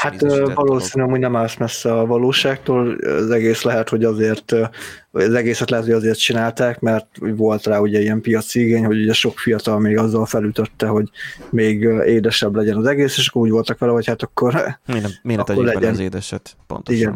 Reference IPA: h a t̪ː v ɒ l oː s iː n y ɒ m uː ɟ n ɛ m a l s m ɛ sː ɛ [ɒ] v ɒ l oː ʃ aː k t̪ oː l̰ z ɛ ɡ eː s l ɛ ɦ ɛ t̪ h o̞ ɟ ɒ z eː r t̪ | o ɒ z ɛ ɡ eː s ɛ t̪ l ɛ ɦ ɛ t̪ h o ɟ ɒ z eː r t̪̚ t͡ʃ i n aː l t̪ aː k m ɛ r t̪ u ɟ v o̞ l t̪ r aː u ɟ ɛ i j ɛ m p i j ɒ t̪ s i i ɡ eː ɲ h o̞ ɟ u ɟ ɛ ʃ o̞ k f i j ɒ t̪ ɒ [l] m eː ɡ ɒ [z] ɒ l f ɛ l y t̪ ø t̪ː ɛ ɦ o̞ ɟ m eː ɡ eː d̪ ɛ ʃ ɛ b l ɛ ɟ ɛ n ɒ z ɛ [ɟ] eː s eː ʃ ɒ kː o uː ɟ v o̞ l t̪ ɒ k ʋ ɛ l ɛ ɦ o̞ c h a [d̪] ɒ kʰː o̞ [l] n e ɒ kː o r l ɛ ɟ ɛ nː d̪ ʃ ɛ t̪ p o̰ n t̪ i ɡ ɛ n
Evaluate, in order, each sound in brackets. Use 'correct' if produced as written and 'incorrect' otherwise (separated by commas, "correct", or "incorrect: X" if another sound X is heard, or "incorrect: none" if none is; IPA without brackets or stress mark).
correct, correct, incorrect: zː, incorrect: ɡ, incorrect: t̪, incorrect: r